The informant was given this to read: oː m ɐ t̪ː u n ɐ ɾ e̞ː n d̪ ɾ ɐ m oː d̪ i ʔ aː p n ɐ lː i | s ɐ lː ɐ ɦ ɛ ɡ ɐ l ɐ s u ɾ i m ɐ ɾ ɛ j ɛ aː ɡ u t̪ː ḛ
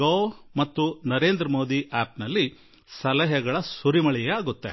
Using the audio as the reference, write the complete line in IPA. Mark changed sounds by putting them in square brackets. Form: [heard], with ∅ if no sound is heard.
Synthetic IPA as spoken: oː m ɐ t̪ː u n ɐ ɾ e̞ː n d̪ ɾ ɐ m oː d̪ i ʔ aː p n ɐ lː i | s ɐ [l] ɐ ɦ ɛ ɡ ɐ [ɭ] ɐ s u ɾ i m ɐ [ɭ] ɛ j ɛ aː ɡ u t̪ː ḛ